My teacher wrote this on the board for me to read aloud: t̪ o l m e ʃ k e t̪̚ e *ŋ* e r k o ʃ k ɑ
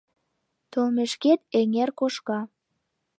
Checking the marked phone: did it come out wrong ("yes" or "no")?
no